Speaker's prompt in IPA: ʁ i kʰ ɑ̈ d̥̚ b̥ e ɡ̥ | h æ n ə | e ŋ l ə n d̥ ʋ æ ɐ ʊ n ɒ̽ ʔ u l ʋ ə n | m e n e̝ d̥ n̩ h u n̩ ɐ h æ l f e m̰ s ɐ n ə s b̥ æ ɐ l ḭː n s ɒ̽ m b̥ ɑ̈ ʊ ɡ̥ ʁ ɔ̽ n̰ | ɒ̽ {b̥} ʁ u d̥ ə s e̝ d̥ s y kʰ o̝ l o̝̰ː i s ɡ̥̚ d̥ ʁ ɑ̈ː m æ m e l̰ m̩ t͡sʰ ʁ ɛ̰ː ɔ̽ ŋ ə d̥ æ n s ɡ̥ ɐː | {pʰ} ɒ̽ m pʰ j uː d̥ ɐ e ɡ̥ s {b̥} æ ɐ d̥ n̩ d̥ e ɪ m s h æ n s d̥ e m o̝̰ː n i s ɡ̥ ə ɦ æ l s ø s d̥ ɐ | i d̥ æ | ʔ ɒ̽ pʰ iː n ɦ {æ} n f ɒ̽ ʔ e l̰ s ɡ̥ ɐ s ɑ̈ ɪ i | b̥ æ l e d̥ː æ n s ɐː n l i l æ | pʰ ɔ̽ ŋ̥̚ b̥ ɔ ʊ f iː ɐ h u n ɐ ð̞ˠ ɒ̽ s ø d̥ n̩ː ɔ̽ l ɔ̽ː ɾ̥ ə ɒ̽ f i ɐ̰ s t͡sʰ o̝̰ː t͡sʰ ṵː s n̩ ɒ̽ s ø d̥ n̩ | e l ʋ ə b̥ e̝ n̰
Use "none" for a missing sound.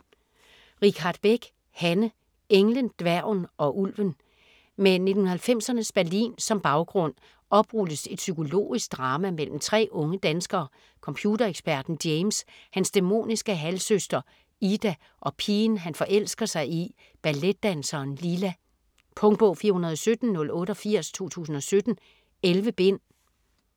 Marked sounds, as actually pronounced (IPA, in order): b̥, kʰ, b̥, æ

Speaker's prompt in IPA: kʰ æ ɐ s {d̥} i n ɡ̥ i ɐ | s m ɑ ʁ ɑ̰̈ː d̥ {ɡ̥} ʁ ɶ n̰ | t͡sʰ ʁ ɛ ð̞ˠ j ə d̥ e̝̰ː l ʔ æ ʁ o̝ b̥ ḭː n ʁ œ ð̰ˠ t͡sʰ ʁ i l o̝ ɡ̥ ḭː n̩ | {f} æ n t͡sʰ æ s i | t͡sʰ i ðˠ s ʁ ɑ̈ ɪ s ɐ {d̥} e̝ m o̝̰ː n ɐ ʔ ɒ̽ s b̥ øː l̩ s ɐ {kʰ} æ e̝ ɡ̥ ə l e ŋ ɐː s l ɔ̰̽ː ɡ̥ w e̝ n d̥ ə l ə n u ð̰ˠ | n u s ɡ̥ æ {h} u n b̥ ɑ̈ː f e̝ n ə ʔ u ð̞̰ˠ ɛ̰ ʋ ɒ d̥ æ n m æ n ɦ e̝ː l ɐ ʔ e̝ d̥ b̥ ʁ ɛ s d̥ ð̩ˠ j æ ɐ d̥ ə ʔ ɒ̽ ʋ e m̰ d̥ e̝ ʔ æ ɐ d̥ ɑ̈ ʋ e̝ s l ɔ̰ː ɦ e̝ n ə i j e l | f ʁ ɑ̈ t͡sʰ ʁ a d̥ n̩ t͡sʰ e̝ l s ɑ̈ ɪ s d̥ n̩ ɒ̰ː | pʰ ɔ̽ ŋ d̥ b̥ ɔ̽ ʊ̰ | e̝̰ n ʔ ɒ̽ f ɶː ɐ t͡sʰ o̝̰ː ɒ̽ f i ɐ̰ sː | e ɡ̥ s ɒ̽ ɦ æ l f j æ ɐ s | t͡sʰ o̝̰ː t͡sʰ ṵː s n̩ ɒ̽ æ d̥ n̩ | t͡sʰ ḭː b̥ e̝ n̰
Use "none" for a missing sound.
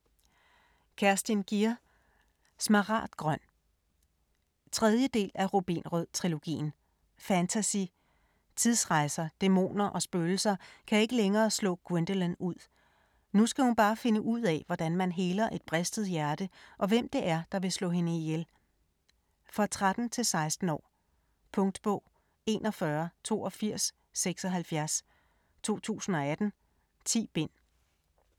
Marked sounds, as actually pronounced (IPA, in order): d̥, ɡ̥, f, d̥, kʰ, h

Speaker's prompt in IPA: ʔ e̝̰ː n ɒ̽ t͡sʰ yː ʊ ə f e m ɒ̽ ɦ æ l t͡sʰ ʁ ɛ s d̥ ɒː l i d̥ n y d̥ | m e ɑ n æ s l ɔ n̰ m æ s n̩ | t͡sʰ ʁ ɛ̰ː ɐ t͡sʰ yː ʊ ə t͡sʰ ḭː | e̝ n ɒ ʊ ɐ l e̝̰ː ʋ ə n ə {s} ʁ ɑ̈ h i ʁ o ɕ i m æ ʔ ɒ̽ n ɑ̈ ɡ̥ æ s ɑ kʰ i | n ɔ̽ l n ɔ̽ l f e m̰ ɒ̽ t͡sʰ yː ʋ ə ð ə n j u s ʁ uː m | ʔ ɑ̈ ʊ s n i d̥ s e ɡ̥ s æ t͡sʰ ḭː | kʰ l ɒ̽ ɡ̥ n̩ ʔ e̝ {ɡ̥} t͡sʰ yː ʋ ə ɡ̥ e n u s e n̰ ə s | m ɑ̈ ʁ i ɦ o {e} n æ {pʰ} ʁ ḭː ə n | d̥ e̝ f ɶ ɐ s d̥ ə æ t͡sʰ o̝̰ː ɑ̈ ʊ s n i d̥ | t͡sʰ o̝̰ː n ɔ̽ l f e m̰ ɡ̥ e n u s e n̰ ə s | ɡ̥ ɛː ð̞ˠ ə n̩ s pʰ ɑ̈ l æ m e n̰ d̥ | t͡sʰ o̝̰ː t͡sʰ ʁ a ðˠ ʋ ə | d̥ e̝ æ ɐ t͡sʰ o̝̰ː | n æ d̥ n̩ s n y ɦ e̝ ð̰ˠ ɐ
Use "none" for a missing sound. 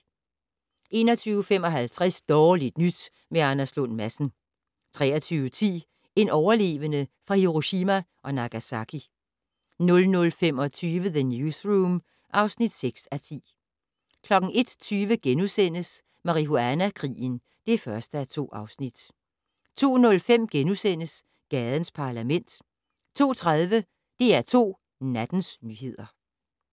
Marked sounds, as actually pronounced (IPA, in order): f, d̥, æ, kʰ

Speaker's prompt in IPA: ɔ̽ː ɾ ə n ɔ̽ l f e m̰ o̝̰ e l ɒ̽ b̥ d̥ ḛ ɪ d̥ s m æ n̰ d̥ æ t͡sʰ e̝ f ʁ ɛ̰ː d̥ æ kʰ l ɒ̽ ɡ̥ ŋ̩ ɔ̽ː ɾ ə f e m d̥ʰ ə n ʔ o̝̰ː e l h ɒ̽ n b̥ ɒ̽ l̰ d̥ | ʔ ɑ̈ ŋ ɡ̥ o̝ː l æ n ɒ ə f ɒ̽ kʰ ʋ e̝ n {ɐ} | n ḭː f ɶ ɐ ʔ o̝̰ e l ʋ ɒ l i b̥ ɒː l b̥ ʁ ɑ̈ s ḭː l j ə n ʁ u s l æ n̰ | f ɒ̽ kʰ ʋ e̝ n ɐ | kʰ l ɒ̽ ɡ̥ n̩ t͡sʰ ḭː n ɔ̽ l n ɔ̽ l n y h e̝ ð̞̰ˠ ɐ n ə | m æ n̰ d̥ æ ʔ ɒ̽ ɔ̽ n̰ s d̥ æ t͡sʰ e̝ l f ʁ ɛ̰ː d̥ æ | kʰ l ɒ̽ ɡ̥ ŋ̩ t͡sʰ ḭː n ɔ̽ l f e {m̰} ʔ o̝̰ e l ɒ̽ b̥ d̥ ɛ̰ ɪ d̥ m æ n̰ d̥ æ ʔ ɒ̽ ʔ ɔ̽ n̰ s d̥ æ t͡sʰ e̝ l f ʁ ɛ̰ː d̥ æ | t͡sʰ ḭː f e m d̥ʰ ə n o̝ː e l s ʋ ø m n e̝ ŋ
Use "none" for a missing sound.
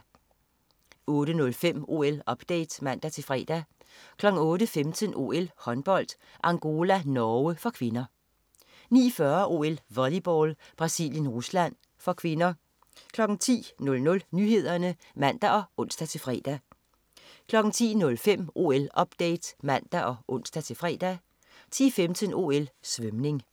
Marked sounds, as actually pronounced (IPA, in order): ɐ, m̰

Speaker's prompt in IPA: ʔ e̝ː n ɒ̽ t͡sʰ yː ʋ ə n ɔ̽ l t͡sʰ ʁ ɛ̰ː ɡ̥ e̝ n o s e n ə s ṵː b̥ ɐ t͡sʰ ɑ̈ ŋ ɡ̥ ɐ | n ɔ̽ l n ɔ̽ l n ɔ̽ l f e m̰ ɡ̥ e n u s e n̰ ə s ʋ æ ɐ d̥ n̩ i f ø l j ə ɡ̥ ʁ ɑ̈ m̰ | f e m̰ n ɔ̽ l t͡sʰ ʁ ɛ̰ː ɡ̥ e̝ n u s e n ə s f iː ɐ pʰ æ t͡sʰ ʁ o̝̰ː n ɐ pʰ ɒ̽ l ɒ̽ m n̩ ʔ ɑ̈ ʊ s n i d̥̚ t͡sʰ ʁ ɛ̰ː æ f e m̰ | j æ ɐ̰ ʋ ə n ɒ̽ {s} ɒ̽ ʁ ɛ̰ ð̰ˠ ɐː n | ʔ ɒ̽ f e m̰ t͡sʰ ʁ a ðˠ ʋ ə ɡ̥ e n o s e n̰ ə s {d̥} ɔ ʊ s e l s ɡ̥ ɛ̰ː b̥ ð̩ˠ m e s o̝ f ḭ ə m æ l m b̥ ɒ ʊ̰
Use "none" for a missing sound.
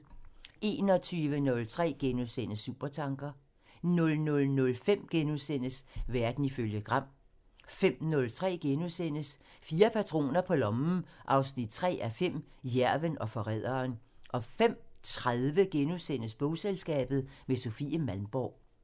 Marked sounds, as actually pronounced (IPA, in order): f, b̥

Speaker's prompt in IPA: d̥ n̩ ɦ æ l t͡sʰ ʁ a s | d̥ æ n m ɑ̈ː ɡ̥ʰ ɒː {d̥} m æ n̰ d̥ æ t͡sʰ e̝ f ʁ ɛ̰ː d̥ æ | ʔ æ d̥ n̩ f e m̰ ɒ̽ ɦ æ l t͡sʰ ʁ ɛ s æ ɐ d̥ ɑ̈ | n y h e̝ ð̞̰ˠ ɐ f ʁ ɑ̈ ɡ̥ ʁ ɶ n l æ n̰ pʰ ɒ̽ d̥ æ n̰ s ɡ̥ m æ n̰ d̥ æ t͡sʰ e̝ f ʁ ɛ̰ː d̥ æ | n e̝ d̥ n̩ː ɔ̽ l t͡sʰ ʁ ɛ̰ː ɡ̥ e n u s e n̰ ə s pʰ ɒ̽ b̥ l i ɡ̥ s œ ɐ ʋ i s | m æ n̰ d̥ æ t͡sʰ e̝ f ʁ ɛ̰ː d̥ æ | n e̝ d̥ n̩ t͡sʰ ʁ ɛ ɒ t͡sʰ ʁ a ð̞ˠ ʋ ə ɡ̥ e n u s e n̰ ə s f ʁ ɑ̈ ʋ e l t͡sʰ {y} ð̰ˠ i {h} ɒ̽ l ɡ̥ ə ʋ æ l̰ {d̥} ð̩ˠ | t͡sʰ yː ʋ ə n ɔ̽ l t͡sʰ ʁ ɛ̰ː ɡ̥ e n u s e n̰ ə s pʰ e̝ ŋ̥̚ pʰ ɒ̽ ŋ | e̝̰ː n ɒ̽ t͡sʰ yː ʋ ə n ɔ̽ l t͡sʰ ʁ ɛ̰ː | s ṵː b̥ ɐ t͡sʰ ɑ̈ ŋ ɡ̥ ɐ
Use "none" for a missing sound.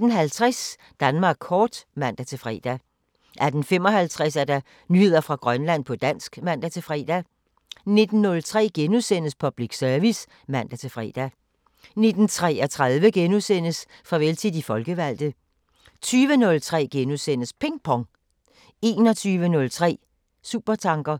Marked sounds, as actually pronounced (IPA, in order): d̥, i, f, d̥

